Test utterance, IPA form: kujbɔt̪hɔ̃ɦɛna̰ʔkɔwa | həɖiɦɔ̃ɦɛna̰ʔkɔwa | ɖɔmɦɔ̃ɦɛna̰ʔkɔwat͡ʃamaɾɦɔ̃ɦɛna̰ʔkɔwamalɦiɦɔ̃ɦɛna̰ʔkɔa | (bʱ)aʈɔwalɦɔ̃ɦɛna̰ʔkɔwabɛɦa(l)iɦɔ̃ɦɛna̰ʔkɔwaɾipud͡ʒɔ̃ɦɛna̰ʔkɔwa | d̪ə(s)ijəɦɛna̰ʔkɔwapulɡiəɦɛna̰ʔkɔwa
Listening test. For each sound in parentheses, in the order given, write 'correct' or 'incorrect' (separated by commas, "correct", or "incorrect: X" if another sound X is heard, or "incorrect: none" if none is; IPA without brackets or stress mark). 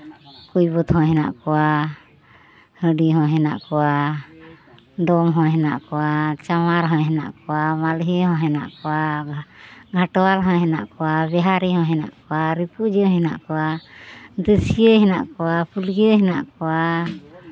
incorrect: ɡʱ, incorrect: ɾ, correct